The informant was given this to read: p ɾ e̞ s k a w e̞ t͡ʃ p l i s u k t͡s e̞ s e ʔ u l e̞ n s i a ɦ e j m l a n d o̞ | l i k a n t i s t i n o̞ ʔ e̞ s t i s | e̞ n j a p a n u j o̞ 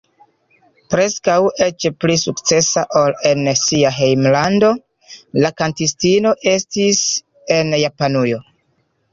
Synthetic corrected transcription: p ɾ e̞ s k a w e̞ t͡ʃ p l i s u k t͡s e̞ s a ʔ o l e̞ n s i a ɦ e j m l a n d o̞ | l a k a n t i s t i n o̞ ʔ e̞ s t i s | e̞ n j a p a n u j o̞